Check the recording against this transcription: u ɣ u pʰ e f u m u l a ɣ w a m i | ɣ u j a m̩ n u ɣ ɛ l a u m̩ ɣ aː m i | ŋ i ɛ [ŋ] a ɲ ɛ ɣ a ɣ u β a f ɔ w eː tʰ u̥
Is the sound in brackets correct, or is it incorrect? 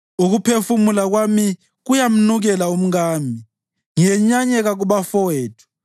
incorrect: ɲ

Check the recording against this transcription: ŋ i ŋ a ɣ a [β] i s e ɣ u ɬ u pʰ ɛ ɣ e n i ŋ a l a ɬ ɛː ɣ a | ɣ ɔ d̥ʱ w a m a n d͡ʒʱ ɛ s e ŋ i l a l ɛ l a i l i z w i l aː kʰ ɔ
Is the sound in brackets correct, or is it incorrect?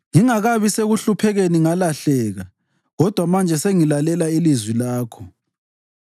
correct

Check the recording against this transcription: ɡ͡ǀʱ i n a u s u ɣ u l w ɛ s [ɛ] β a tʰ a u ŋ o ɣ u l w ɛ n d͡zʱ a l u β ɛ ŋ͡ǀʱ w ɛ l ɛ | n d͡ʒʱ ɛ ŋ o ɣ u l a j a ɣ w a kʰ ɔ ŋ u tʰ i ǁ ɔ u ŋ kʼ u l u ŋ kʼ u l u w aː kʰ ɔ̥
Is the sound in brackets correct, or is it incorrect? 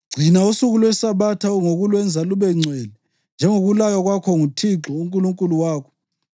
incorrect: a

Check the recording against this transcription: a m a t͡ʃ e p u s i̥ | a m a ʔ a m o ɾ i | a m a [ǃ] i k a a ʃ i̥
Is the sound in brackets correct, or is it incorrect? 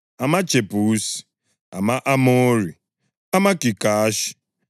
incorrect: k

